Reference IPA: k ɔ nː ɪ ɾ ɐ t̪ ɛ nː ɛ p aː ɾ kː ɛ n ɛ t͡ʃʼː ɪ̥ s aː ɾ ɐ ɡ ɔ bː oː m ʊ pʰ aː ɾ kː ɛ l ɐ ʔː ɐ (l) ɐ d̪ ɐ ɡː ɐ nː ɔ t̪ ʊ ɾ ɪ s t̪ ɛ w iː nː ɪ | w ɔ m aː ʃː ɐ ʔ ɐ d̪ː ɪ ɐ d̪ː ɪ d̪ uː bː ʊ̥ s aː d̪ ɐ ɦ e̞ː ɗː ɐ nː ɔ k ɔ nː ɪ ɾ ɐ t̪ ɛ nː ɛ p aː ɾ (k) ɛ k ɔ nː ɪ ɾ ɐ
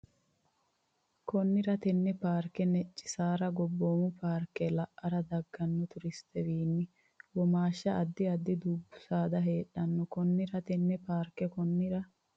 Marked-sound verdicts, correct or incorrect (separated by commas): incorrect, correct